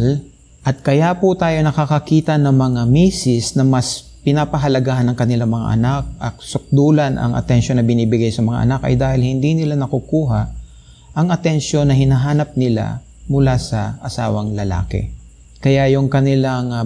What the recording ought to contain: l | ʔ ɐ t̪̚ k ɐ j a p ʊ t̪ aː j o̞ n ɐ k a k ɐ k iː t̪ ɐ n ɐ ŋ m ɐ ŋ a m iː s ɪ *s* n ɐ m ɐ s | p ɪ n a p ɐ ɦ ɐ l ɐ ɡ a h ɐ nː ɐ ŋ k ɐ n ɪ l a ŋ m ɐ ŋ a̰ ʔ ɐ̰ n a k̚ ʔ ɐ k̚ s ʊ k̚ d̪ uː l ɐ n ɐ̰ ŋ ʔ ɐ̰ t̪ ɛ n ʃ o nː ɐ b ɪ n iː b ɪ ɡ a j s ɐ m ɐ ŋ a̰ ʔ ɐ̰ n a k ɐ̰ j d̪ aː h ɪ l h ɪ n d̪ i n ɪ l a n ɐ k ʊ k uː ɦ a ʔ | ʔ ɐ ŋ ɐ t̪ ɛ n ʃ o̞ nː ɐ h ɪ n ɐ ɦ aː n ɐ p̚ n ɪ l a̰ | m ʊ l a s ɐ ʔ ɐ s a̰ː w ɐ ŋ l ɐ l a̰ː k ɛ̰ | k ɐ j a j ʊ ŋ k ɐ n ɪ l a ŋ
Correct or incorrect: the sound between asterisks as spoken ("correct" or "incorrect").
correct